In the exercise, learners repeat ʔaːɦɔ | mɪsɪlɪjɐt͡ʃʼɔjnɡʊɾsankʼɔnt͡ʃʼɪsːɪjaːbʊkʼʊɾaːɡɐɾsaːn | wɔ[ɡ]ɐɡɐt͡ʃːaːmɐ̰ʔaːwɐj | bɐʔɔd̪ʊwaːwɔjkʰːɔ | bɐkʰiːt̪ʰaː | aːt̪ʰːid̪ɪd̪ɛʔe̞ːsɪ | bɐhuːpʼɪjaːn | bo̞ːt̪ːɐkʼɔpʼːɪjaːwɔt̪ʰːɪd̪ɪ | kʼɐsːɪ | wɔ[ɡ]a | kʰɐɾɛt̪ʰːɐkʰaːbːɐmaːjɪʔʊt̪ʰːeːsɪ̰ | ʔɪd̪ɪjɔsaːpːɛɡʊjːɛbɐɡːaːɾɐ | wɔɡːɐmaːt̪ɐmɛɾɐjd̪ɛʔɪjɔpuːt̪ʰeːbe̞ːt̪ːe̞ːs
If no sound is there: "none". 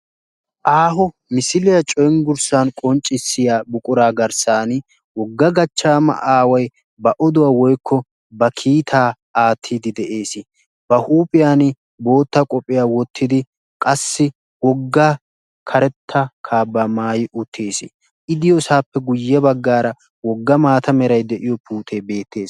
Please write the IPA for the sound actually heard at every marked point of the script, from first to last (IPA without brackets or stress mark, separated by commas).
ɡː, ɡː